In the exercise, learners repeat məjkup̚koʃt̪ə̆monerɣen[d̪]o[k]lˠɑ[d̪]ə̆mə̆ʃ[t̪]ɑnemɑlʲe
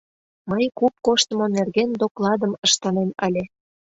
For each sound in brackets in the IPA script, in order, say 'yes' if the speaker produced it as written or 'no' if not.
yes, yes, yes, yes

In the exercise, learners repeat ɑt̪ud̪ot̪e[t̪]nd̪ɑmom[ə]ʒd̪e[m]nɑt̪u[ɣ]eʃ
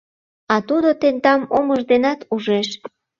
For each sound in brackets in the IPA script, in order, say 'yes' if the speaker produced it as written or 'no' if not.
no, yes, no, no

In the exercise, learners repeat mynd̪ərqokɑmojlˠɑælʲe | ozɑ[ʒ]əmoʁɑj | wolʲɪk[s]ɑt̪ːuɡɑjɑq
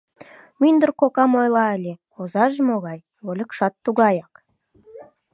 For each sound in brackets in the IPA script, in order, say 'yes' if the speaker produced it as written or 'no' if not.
yes, no

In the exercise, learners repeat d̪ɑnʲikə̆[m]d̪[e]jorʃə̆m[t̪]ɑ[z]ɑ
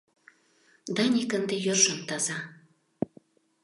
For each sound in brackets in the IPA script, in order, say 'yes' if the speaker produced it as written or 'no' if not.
no, yes, yes, yes

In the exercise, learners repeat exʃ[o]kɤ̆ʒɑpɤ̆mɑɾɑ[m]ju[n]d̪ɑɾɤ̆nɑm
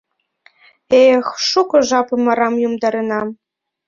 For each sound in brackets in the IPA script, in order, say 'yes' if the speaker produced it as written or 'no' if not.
no, yes, no

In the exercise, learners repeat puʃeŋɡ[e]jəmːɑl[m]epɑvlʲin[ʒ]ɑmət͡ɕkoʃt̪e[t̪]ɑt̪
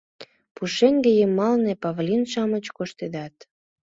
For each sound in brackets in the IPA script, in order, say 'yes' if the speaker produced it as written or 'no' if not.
yes, no, no, no

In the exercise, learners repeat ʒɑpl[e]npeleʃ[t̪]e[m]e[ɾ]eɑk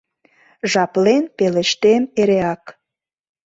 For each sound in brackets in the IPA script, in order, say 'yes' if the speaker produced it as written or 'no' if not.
yes, yes, yes, yes

